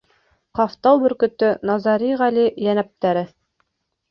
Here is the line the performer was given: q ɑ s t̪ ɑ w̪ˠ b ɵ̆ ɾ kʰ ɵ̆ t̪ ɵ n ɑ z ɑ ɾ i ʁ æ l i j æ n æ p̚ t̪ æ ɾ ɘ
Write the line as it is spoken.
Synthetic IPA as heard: q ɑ f t̪ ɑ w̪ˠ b ɵ̆ ɾ k ɵ̆ t̪ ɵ n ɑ z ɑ ɾ i ʁ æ l i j æ n æ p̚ t̪ æ ɾ ɘ